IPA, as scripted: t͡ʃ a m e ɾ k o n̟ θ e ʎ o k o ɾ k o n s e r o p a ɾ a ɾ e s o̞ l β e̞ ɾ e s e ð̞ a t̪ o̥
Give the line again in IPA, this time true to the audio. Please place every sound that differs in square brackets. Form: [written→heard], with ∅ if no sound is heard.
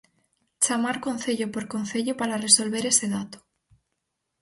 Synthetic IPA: t͡ʃ a m [e→a] ɾ k o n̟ θ e ʎ o [k→p] o ɾ k o n [s→θ] e [r→ʎ] o p a ɾ a [ɾ→r] e s o̞ l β e̞ ɾ e s e ð̞ a t̪ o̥